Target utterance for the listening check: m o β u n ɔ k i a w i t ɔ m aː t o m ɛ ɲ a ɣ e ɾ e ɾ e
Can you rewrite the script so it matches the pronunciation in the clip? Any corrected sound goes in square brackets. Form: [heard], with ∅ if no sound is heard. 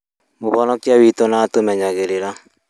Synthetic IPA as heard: m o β [ɔ] n ɔ k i a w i t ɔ [n] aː t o m ɛ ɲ a ɣ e ɾ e ɾ [a]

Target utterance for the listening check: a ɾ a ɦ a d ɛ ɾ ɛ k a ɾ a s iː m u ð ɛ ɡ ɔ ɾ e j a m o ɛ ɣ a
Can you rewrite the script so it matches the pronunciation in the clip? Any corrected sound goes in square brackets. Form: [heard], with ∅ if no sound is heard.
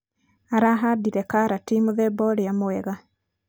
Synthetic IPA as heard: a ɾ a ɦ a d [i] ɾ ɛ k a ɾ a [t] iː m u ð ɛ [b] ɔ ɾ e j a m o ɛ ɣ a

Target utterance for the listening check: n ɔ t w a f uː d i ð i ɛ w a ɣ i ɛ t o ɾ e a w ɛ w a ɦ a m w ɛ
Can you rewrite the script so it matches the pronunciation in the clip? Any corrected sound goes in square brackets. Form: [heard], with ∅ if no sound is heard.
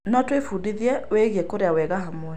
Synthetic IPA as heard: n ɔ t w [e] f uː d i ð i ɛ w [e] ɣ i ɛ [k] o ɾ e a w ɛ [ɣ] a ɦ a m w ɛ

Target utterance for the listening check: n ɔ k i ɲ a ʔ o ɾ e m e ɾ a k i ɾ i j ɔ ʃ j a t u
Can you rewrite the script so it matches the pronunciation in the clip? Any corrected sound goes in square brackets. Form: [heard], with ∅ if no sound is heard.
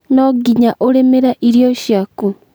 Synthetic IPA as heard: n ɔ [ɡ] i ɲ a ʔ o ɾ e m e ɾ a [ʔ] i ɾ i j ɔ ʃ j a [k] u

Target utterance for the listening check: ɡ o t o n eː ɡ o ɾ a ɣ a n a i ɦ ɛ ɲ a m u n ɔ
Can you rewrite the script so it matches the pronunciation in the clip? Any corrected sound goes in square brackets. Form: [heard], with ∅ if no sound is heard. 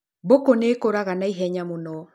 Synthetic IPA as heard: [b] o [k] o n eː [k] o ɾ a ɣ a n a i ɦ ɛ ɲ a m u n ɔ

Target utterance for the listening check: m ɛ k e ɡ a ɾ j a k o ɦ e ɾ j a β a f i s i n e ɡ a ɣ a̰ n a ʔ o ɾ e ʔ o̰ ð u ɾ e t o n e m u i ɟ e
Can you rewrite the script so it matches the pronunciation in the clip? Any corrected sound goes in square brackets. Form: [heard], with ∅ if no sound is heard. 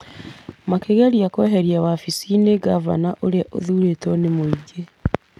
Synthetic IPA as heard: m [a] k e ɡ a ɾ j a k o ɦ e ɾ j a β a f i s i n e ɡ a [v] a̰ n a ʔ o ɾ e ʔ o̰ ð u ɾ e t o n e m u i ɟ e

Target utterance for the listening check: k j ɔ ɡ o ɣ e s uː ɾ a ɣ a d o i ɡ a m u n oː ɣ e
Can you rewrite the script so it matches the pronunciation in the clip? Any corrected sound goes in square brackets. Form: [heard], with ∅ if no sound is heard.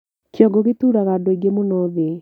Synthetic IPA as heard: k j ɔ ɡ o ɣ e [t] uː ɾ a ɣ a d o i ɡ [e] m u n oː [ð] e

